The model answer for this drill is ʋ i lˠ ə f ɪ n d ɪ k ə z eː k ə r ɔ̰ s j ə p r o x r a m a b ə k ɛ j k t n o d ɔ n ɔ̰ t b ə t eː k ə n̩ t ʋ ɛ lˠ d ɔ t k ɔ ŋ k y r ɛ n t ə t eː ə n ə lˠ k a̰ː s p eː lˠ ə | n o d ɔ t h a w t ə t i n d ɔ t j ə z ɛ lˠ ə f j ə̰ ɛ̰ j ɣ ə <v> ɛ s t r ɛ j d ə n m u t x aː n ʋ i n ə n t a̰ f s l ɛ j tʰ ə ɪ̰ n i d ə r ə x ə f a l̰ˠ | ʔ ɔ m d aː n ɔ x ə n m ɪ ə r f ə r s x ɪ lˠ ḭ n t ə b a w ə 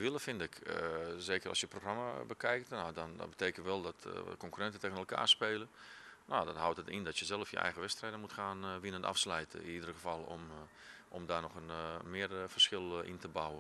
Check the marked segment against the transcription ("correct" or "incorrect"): incorrect